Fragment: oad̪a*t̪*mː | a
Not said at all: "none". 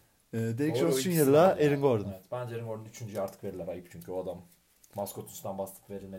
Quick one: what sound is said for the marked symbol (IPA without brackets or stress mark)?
none